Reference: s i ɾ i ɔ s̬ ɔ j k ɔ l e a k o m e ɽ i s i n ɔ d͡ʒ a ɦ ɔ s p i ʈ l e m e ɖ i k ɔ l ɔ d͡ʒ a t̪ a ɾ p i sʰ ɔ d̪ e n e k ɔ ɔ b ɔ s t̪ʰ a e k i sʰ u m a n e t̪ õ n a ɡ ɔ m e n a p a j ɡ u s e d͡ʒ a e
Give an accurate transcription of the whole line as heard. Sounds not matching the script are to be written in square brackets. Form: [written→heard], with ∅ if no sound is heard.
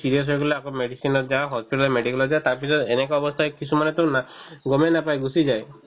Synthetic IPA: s i ɾ i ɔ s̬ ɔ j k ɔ l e a k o m e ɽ i s i n ɔ d͡ʒ a ɦ ɔ s p i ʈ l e m e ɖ i k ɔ l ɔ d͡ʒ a t̪ a ɾ p i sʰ ɔ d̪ e n e k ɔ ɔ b ɔ s t̪ʰ a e k i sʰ u m a n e t̪ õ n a ɡ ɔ m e n a p a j ɡ u s [e→i] d͡ʒ a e